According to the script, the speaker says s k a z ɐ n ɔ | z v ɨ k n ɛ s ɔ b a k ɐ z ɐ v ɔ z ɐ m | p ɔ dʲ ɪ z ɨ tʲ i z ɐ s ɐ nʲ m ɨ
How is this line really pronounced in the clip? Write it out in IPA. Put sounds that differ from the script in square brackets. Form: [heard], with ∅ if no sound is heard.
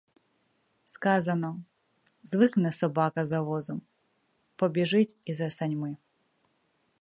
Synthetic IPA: s k a z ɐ n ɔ | z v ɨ k n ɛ s ɔ b a k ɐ z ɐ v ɔ z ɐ m | p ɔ [bʲ] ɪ [ʐ] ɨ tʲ i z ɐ s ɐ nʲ m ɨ